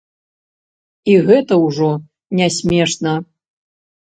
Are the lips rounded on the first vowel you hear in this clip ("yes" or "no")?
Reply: no